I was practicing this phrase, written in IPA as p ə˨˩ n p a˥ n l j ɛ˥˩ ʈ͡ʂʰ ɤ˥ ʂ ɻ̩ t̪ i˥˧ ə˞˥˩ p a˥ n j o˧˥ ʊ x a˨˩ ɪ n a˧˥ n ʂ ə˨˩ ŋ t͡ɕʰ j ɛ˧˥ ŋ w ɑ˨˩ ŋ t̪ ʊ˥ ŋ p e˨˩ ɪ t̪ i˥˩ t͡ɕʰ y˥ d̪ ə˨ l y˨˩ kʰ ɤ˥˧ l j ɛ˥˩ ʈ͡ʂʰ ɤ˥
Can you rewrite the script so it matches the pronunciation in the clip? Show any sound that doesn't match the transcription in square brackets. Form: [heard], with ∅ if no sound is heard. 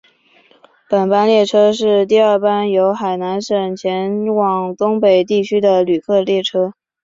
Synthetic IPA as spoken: p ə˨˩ n p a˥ n l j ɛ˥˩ ʈ͡ʂʰ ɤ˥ ʂ ɻ̩ t̪ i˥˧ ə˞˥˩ p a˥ n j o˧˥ ʊ x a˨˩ ɪ n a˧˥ n ʂ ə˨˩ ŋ t͡ɕʰ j ɛ˧˥ [n] w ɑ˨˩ ŋ t̪ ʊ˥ ŋ p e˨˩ ɪ t̪ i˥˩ t͡ɕʰ y˥ d̪ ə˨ l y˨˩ kʰ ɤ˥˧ l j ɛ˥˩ ʈ͡ʂʰ ɤ˥